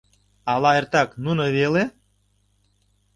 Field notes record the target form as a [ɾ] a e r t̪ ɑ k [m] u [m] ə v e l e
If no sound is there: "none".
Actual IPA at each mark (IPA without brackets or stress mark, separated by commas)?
l, n, n